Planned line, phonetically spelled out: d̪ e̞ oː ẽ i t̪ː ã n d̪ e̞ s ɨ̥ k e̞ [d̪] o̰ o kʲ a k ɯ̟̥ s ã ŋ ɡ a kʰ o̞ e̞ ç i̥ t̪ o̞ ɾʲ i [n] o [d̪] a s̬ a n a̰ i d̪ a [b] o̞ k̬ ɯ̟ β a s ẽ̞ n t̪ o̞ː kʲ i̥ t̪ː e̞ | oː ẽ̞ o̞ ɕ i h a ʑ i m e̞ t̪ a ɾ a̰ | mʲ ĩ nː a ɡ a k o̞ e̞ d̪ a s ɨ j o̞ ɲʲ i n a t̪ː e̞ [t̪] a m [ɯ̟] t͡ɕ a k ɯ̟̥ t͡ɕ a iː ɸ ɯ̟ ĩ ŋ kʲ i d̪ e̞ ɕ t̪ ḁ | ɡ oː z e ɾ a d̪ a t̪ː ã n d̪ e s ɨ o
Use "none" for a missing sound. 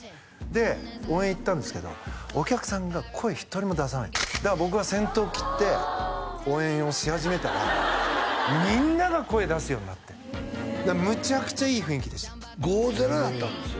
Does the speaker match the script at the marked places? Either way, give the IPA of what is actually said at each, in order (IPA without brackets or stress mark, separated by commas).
d̪, m, d̪, b, d̪, ɯ̟